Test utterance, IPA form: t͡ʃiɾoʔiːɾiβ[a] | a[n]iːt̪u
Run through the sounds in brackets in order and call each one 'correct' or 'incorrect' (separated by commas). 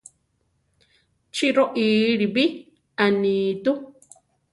incorrect, correct